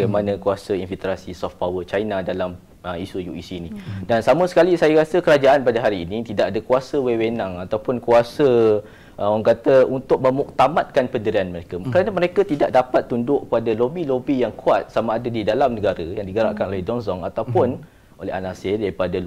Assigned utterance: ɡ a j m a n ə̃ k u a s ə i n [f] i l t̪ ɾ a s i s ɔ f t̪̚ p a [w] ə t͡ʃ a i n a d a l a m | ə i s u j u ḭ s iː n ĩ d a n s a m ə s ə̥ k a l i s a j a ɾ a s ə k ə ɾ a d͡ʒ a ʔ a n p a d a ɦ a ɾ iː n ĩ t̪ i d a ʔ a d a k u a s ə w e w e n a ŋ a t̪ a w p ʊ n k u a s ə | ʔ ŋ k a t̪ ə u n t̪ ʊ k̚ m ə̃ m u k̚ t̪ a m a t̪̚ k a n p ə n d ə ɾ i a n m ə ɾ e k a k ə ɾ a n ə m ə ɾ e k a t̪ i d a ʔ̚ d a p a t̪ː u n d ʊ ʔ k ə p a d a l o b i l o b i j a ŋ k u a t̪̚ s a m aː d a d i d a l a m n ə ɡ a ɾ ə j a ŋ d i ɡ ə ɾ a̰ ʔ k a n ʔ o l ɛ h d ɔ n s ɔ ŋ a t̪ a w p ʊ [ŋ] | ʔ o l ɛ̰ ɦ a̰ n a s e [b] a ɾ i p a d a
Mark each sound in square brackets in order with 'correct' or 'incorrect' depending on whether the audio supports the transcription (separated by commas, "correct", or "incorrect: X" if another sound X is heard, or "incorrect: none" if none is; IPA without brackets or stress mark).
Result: correct, correct, incorrect: n, incorrect: d